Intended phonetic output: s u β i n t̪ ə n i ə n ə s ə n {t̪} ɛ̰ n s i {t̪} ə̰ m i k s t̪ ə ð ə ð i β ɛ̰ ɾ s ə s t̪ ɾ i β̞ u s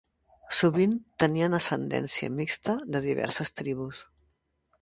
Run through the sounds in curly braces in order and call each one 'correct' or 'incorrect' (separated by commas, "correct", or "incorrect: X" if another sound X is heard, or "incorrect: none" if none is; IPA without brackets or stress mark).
incorrect: d̪, incorrect: none